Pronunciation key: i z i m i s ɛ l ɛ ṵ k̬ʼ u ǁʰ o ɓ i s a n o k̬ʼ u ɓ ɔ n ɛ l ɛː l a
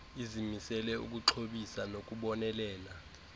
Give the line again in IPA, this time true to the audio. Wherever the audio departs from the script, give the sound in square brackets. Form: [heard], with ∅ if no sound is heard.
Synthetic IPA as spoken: i z i m i s ɛ l ɛ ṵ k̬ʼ u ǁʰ o ɓ i s a n o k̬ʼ u ɓ ɔ n ɛ l ɛː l a